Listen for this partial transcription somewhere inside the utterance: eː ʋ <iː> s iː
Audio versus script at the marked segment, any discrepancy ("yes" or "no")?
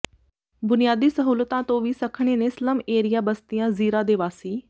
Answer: yes